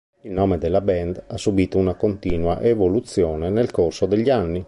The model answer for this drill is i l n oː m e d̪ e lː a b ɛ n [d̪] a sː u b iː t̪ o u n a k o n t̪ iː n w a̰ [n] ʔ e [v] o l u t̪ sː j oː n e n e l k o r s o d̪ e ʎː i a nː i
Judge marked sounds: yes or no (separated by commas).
yes, no, yes